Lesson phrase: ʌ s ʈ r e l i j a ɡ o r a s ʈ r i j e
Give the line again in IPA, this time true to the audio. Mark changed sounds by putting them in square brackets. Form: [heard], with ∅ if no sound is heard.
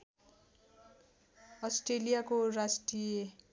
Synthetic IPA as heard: ʌ s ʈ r e l i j a [k] o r a s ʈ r i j e